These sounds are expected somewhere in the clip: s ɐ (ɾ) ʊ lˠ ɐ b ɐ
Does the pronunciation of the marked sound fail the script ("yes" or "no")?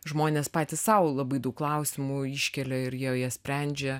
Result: yes